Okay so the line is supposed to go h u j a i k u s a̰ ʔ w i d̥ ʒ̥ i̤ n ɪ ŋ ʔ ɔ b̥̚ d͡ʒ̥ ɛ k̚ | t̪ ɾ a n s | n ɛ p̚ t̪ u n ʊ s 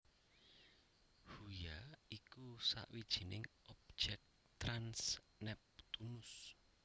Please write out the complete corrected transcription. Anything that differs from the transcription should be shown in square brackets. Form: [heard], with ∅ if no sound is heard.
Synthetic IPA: h u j a i k u s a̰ ʔ w i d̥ ʒ̥ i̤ n ɪ ŋ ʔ ɔ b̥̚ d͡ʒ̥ ɛ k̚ | t̪ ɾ a n s | n ɛ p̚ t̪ u n ʊ s